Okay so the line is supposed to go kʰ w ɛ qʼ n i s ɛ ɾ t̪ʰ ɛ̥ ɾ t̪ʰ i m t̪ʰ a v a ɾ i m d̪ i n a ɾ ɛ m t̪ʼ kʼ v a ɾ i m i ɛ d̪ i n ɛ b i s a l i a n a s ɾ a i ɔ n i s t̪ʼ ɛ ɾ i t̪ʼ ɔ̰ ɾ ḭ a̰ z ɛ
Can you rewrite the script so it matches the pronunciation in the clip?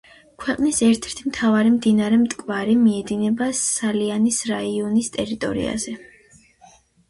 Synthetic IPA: kʰ w ɛ qʼ n i s ɛ ɾ t̪ʰ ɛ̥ ɾ t̪ʰ i m t̪ʰ a v a ɾ i m d̪ i n a ɾ ɛ m t̪ʼ kʼ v a ɾ i m i ɛ d̪ i n ɛ b a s a l i a n i s ɾ a i ɔ n i s t̪ʼ ɛ ɾ i t̪ʼ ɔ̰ ɾ ḭ a̰ z ɛ